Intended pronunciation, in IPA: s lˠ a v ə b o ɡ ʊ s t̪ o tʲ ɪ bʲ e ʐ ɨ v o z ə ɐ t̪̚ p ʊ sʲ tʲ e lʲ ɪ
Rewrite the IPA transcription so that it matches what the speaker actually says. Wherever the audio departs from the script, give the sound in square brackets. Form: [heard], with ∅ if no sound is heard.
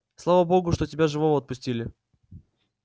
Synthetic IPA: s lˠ a v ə b o ɡ ʊ [ʂ] t̪ o tʲ ɪ bʲ [a] ʐ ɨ v o [v] ə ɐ t̪̚ p ʊ sʲ tʲ [i] lʲ ɪ